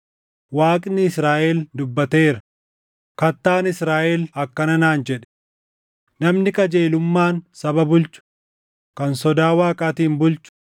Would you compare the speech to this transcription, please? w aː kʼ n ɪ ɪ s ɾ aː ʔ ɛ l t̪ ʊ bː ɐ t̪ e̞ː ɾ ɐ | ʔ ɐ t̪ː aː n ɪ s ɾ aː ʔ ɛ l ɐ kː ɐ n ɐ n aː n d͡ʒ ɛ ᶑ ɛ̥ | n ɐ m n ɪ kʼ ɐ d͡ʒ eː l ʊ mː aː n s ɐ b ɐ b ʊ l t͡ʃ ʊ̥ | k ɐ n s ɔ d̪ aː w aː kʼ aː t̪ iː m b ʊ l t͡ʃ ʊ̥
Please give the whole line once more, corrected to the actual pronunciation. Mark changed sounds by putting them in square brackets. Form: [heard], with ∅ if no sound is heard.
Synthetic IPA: w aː kʼ n ɪ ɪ s ɾ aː ʔ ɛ l [d̪] ʊ bː ɐ t̪ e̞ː ɾ ɐ | [k] ɐ t̪ː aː n ɪ s ɾ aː ʔ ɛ l ɐ kː ɐ n ɐ n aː n d͡ʒ ɛ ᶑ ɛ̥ | n ɐ m n ɪ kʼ ɐ d͡ʒ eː l ʊ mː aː n s ɐ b ɐ b ʊ l t͡ʃ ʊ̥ | k ɐ n s ɔ d̪ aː w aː kʼ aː t̪ iː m b ʊ l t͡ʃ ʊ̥